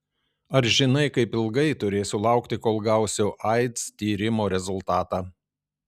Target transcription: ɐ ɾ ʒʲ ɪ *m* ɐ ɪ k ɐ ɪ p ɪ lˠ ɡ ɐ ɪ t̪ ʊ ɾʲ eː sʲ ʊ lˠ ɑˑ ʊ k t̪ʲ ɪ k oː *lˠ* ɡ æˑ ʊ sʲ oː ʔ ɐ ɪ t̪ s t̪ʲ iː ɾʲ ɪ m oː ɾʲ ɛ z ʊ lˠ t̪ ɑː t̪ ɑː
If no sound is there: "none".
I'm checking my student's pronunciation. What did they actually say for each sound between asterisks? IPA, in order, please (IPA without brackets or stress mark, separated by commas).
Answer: n, lˠ